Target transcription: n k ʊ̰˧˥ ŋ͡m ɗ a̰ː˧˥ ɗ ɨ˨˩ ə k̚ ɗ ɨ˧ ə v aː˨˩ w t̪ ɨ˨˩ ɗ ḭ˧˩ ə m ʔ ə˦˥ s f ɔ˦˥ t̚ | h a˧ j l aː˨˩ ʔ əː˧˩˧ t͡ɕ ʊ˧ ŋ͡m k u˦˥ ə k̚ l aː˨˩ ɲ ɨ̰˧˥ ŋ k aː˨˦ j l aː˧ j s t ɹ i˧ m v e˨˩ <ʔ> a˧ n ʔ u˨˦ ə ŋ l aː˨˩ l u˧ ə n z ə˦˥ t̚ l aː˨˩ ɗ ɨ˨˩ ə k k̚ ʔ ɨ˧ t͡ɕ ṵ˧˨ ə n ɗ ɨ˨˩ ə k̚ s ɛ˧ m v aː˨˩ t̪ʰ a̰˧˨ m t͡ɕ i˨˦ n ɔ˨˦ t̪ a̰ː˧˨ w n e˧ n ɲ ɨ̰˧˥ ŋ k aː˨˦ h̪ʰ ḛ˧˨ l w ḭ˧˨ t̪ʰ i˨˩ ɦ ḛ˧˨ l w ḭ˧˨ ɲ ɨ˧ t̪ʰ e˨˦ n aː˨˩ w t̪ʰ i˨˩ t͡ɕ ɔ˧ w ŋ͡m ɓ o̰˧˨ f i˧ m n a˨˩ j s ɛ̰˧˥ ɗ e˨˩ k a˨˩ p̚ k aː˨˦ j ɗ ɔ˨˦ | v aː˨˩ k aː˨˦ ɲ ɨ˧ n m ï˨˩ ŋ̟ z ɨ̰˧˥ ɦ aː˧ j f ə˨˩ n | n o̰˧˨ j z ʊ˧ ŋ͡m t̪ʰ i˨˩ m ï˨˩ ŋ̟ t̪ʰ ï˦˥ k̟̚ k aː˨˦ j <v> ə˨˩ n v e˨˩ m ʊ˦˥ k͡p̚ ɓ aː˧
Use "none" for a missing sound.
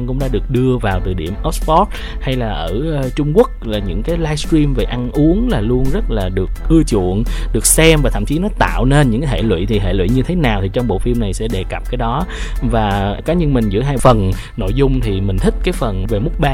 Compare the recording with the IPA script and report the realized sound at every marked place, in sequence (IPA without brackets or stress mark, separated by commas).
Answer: ʔ, f